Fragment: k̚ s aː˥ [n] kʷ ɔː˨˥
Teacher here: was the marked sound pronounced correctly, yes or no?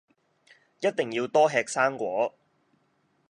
no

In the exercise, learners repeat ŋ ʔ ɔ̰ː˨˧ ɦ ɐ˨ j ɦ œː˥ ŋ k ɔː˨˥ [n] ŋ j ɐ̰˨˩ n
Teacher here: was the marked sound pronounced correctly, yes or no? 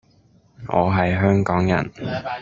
no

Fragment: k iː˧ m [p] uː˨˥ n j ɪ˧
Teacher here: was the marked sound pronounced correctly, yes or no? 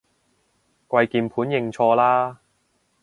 no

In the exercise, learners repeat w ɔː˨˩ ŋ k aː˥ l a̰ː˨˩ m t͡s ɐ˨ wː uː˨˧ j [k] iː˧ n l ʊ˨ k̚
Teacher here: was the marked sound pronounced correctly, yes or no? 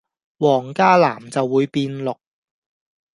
no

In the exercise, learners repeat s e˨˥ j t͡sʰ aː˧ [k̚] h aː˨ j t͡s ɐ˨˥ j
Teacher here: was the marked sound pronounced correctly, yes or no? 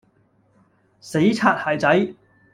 no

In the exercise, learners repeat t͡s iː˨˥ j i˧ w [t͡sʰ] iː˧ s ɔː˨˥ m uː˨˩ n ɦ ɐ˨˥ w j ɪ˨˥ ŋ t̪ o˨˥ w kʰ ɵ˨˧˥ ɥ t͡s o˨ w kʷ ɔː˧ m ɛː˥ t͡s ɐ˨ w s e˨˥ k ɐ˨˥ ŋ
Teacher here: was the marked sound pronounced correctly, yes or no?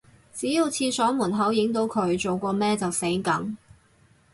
yes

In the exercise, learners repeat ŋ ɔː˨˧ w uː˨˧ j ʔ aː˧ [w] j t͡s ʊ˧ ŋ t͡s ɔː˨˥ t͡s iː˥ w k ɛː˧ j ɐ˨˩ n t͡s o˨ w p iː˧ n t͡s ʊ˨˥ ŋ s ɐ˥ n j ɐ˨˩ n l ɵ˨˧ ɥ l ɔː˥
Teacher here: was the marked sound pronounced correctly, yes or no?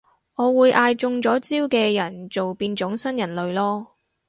no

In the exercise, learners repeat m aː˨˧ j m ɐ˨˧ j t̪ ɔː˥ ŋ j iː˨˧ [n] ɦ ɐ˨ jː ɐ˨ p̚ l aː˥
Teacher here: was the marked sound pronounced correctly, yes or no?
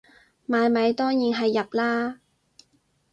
yes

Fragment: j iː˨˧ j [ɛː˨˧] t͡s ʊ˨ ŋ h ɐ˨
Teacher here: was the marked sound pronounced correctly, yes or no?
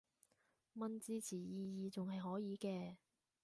no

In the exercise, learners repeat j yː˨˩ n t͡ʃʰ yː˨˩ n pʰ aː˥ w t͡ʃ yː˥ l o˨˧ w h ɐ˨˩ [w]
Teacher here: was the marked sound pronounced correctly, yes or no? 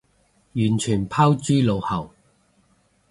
yes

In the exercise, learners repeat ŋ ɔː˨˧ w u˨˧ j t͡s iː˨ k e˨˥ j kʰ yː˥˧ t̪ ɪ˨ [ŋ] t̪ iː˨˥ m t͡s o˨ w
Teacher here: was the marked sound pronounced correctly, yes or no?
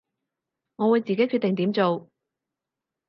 yes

